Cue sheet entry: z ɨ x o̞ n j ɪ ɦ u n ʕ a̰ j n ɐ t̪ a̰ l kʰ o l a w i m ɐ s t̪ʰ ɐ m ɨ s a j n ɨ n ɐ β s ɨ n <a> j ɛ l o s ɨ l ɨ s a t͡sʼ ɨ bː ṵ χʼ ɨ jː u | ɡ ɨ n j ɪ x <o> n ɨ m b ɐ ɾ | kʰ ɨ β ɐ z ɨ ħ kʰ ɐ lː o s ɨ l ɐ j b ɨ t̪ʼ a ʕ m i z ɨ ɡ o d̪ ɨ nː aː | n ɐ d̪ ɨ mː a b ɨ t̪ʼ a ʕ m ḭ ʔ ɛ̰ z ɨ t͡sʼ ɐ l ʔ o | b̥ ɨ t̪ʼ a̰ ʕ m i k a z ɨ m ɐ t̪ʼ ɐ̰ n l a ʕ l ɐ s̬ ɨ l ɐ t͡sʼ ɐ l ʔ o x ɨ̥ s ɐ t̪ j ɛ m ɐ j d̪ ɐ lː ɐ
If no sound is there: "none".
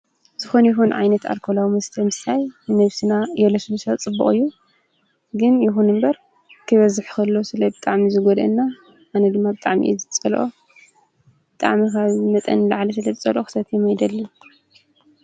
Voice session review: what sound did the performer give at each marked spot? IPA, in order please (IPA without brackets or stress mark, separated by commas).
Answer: a, u